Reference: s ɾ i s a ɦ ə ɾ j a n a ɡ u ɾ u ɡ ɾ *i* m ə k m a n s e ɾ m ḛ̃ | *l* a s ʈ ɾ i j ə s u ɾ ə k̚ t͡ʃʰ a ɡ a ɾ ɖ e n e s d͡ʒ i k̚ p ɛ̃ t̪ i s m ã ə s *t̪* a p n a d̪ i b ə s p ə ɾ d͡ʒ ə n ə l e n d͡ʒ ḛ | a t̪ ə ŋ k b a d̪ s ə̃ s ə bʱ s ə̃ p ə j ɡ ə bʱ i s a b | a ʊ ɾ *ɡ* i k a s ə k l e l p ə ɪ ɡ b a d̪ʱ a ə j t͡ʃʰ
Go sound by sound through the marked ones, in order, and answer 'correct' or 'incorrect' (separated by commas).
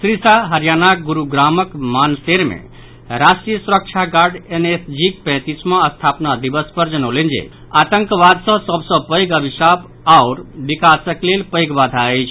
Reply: incorrect, incorrect, incorrect, incorrect